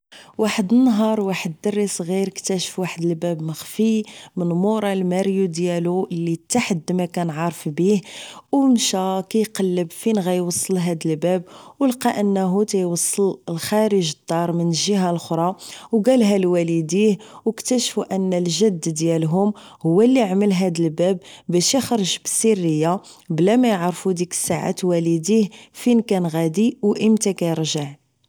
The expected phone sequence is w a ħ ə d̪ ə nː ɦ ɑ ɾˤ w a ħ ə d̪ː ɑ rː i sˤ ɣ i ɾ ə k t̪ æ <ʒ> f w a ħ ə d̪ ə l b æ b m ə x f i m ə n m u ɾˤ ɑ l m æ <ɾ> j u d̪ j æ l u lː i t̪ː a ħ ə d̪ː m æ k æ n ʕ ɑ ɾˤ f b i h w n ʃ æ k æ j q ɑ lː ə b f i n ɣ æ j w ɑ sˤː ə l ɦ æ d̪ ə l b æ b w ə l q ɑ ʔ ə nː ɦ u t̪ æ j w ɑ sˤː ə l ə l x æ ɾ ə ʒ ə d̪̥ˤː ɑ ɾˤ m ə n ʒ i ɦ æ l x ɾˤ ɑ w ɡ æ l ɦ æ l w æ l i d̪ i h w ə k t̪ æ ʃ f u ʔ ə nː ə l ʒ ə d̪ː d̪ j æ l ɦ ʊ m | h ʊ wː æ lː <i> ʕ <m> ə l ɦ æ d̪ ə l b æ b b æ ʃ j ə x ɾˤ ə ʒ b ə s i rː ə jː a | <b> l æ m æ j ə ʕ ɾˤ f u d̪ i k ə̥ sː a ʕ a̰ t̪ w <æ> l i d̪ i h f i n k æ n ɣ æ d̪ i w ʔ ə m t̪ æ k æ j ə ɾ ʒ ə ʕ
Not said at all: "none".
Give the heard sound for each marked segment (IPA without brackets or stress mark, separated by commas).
ʃ, ɾ, i, m, b, æ